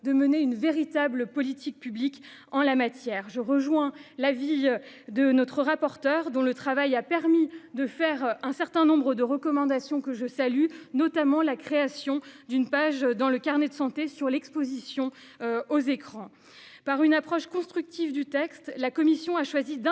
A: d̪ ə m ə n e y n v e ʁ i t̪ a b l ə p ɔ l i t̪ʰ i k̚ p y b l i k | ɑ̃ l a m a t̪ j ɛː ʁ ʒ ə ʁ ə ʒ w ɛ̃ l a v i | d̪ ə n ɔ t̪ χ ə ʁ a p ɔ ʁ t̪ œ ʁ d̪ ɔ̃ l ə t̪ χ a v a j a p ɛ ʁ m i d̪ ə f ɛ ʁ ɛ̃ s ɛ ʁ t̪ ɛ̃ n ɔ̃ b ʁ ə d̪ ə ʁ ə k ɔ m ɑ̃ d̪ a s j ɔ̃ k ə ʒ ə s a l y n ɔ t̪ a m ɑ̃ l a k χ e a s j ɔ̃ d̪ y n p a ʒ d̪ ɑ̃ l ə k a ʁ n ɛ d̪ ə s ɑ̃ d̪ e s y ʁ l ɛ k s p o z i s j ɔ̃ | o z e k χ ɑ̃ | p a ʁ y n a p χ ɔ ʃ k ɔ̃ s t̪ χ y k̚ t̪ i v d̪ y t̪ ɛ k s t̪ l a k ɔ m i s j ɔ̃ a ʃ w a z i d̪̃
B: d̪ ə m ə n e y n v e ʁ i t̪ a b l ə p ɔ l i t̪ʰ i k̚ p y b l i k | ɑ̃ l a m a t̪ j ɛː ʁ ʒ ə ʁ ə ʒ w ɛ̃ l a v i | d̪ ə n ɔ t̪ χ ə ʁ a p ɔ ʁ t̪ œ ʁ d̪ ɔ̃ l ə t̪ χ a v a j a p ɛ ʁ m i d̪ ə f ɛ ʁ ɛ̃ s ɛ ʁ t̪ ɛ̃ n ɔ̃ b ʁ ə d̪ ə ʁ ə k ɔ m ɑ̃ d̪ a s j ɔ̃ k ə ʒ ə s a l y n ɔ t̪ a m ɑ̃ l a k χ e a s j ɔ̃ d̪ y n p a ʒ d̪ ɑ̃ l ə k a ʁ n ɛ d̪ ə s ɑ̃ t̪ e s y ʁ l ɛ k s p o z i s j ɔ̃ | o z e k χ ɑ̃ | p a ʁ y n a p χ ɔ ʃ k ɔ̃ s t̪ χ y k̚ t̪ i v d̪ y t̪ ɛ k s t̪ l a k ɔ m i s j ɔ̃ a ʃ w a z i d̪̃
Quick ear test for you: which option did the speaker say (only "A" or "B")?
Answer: B